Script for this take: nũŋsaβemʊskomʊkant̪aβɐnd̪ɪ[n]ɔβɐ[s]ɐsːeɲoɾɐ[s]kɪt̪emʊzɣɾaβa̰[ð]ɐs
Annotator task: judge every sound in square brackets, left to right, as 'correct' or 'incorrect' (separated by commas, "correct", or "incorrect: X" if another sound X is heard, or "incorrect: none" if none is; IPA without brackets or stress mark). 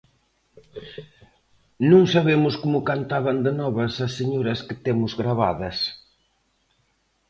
correct, correct, correct, correct